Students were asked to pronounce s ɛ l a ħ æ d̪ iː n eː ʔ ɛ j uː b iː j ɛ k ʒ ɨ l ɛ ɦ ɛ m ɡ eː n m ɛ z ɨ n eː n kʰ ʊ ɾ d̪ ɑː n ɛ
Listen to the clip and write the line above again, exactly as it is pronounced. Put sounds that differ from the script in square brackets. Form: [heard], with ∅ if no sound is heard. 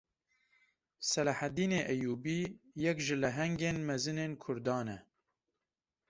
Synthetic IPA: s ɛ l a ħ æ d̪ iː n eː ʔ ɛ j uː b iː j ɛ k ʒ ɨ l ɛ ɦ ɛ [ŋ] ɡ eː n m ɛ z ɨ n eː n kʰ ʊ ɾ d̪ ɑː n ɛ